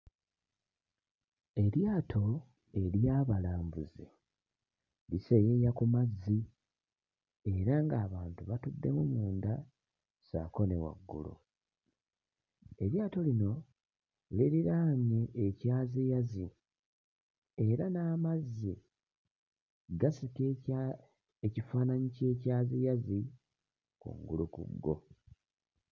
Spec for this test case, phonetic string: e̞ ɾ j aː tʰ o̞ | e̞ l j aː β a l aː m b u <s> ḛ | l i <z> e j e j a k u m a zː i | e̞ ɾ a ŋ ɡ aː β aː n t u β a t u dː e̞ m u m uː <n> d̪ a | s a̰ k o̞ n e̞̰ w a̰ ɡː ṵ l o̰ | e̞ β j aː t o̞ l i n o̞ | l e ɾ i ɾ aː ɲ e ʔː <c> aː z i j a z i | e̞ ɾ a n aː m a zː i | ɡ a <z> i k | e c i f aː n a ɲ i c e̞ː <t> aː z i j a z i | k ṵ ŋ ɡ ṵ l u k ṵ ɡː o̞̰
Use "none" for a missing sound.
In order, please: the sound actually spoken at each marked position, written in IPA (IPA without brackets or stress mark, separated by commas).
z, s, n, c, s, c